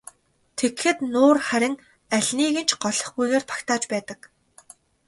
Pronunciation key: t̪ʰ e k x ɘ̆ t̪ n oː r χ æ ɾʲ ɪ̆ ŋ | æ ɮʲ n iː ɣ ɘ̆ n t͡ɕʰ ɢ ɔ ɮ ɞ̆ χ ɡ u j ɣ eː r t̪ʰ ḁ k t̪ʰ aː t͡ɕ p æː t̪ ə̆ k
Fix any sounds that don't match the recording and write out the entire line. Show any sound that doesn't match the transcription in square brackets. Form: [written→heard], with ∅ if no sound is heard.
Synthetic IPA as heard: t̪ʰ e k x ɘ̆ t̪ n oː r χ æ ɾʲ ɪ̆ ŋ | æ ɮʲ n iː ɣ ɘ̆ n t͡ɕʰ ɢ ɔ ɮ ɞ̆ χ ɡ u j ɣ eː r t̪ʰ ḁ k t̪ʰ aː t͡ɕ p æː t̪ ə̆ k